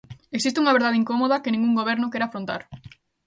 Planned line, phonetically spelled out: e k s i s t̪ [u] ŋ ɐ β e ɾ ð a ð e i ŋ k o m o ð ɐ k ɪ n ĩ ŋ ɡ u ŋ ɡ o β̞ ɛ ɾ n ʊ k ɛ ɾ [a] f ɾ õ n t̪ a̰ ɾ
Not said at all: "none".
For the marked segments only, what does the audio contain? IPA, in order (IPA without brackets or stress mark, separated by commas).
u, a